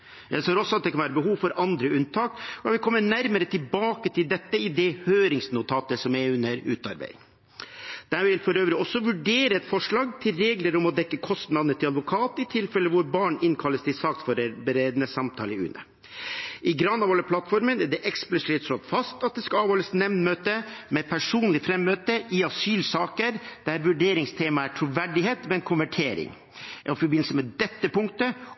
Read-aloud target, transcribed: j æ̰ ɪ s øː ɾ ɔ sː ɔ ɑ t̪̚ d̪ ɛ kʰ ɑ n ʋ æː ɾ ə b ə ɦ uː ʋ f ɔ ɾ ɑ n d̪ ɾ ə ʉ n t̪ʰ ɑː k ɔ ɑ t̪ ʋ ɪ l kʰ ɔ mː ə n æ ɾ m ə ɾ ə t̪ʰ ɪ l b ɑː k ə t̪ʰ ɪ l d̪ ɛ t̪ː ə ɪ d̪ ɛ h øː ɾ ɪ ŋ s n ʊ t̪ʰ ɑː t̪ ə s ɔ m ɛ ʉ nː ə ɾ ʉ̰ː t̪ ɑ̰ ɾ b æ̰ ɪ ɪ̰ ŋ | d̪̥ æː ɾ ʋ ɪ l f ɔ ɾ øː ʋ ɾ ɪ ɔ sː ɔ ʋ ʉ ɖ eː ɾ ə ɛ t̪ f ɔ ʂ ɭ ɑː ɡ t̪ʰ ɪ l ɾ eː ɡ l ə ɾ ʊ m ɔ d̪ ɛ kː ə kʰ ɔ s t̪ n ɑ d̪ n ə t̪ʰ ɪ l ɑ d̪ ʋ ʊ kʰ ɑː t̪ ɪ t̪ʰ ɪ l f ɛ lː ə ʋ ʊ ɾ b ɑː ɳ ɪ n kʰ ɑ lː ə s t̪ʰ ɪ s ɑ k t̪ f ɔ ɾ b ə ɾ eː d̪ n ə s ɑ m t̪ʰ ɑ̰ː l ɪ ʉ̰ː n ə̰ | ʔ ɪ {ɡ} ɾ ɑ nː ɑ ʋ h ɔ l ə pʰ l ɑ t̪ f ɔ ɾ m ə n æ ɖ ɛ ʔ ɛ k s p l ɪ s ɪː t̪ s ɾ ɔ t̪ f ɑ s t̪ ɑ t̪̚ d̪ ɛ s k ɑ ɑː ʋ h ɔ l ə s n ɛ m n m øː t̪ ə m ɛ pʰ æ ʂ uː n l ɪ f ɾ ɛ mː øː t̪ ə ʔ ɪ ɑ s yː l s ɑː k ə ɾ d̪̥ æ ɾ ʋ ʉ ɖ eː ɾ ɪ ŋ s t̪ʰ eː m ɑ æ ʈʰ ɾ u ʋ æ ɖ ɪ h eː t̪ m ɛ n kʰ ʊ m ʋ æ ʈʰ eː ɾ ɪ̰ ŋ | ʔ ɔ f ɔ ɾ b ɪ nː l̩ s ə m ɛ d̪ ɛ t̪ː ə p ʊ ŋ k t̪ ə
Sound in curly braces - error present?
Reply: no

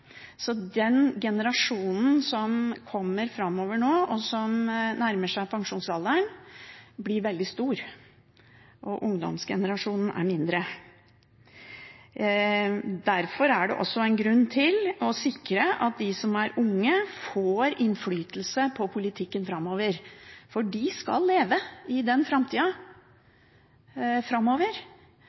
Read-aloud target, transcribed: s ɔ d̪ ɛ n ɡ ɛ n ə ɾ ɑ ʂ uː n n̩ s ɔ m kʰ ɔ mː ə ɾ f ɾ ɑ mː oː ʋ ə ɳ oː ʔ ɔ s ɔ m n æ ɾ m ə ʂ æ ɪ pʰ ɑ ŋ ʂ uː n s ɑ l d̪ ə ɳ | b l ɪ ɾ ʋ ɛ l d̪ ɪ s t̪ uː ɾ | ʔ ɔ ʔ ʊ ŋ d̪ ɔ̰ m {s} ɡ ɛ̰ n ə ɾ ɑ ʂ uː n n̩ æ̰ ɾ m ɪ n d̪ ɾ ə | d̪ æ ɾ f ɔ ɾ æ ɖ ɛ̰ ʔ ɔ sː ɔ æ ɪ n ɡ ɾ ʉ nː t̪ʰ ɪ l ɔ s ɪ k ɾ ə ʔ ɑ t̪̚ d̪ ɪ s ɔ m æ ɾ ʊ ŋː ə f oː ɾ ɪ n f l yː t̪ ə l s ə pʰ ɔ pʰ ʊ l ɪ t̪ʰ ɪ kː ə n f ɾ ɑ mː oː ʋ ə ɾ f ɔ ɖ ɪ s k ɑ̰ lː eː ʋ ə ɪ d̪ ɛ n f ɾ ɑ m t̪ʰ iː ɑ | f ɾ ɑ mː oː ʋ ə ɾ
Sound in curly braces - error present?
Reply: no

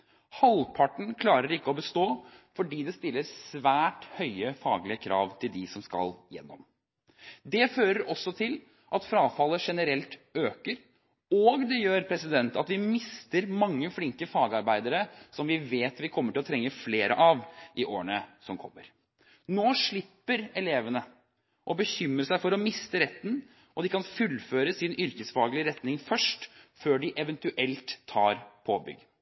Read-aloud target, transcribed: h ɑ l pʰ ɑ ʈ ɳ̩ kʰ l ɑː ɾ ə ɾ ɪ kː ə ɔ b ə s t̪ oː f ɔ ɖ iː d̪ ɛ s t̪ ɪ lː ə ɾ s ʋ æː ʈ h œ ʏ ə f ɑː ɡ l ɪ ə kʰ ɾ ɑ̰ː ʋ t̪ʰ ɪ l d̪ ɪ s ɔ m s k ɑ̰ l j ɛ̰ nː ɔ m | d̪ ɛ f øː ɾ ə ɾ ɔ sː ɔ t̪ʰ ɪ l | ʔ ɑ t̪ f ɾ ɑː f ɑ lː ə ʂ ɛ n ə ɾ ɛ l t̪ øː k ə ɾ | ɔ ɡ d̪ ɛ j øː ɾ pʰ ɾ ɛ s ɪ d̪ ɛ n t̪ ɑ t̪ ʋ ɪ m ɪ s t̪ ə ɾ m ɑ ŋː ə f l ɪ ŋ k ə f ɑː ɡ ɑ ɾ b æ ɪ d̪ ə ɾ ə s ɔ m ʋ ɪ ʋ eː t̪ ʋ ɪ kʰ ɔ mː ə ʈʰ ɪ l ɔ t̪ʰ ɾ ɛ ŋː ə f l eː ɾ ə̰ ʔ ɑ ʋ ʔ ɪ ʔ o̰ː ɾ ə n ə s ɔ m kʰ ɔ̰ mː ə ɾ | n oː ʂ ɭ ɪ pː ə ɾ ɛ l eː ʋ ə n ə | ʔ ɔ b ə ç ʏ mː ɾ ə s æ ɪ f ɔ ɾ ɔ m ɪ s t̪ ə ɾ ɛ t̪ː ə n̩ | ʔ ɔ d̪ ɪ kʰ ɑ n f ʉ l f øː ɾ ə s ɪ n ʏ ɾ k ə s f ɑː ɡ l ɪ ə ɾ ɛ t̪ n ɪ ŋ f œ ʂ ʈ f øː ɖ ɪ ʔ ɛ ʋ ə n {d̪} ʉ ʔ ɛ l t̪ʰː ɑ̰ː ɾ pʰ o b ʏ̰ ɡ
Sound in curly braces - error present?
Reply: yes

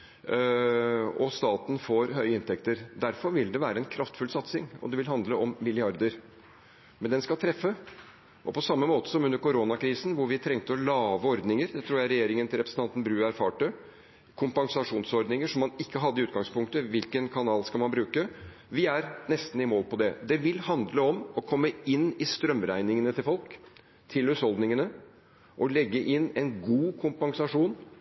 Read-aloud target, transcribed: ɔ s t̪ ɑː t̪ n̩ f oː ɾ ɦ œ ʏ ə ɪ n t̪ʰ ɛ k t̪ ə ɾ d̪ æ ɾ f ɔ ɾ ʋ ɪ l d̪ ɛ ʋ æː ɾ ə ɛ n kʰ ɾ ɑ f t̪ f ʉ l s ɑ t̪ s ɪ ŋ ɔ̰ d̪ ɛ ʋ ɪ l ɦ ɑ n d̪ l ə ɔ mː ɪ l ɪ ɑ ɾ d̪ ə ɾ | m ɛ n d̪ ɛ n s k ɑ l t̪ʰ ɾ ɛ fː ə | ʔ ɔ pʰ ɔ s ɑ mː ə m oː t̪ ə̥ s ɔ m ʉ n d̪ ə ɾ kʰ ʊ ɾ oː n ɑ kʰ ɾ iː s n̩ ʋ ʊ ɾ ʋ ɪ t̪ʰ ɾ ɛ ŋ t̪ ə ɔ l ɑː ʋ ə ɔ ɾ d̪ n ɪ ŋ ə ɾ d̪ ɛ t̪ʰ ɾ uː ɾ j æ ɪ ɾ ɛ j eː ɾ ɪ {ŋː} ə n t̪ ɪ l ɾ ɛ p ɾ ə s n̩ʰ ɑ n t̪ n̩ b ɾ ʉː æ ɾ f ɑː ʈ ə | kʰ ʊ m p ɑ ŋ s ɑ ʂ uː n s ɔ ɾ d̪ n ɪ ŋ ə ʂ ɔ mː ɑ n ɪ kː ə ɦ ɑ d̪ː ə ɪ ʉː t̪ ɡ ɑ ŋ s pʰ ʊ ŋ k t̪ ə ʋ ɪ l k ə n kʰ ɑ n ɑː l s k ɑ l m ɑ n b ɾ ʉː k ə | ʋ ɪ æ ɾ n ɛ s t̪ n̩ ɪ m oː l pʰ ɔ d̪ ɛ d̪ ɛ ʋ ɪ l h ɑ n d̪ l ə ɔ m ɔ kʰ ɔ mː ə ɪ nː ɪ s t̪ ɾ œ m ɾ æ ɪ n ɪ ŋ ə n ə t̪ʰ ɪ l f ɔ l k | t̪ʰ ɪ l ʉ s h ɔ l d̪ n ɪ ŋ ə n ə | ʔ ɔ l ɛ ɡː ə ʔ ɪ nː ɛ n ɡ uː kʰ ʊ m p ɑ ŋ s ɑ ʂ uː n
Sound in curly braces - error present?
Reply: yes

